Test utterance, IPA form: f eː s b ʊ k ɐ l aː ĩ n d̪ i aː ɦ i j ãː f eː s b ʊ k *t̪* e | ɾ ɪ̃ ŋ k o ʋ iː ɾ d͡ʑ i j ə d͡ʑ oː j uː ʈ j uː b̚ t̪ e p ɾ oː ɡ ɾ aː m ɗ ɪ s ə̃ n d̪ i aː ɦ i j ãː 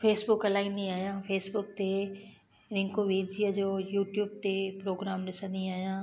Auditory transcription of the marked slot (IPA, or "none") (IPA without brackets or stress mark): t̪